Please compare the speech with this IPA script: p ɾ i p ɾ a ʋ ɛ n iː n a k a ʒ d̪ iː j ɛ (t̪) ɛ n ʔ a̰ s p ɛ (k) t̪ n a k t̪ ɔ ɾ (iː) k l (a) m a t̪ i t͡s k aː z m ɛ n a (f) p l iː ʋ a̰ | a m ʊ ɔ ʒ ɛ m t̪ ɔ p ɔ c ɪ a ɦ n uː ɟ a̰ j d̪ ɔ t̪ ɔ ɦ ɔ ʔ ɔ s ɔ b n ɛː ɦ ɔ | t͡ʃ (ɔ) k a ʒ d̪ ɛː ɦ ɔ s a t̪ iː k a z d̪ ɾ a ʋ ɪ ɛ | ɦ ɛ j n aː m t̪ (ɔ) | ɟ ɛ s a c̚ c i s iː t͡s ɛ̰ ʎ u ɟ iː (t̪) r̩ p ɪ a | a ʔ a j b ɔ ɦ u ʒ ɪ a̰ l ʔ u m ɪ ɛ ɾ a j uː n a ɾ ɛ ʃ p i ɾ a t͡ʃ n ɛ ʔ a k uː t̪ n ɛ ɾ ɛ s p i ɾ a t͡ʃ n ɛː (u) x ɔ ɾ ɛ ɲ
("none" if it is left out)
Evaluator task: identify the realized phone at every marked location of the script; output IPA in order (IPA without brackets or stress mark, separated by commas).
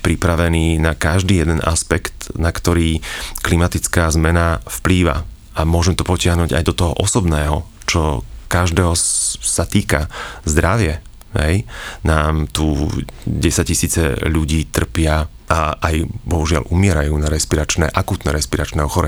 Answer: d̪, k, iː, i, f, ɔ, u, t̪, ɔ